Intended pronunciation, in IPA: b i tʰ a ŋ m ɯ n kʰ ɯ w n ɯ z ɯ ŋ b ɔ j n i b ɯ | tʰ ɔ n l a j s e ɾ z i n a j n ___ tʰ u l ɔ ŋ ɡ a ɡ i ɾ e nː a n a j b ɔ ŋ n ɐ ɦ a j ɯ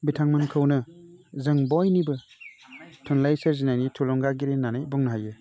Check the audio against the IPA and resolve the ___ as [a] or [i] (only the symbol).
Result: i